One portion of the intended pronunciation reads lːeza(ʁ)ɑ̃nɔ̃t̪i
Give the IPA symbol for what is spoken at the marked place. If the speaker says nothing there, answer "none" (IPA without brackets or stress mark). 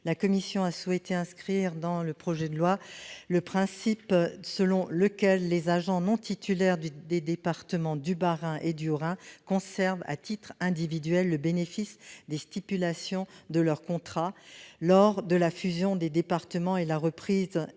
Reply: ʒ